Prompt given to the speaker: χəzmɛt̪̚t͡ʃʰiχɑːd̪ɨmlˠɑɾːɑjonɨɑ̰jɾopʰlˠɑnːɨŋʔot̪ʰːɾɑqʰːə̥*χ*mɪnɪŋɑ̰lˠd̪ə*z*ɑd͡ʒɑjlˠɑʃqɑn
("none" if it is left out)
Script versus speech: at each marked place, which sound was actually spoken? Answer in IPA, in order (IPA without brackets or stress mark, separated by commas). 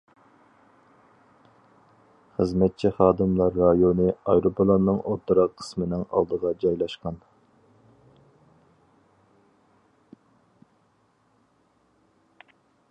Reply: s, ʁ